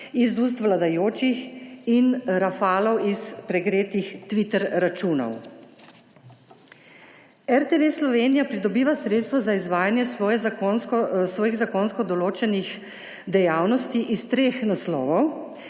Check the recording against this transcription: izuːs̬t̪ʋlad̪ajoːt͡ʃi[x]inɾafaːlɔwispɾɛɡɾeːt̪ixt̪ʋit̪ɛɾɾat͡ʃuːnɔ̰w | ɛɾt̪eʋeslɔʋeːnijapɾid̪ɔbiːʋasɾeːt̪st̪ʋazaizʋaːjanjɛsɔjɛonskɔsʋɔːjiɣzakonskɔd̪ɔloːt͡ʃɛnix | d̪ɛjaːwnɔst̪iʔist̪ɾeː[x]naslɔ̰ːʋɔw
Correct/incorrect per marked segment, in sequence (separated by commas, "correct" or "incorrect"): correct, correct